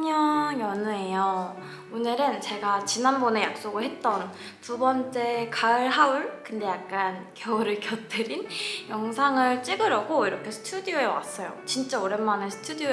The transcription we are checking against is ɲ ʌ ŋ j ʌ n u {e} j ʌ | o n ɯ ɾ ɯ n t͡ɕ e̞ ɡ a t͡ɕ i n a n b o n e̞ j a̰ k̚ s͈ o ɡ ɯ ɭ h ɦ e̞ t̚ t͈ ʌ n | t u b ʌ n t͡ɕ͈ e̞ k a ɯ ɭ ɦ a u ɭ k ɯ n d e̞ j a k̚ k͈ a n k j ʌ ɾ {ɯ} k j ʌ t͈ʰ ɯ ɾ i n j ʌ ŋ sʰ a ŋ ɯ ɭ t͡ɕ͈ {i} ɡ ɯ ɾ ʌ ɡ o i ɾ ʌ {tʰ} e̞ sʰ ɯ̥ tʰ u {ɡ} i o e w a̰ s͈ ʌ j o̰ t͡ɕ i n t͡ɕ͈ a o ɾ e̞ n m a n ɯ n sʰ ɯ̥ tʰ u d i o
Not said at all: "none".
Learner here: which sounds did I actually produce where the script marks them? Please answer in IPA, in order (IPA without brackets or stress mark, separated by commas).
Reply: e, ɯ, i, kʰ, d